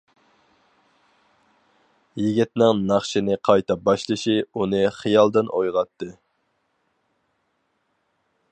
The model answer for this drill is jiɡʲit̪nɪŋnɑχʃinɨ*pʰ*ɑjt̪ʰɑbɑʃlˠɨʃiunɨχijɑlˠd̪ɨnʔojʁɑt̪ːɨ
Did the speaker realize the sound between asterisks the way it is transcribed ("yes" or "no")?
no